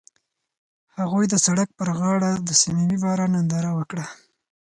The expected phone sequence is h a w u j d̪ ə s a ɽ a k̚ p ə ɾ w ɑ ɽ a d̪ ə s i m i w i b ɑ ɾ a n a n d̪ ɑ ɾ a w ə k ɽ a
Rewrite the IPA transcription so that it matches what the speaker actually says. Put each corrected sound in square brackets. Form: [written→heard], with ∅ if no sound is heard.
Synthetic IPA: h a [w→ɣ] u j d̪ ə s a ɽ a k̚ p ə ɾ [w→ɣ] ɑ ɽ a d̪ ə s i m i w i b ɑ ɾ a n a n d̪ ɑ ɾ a w ə k ɽ a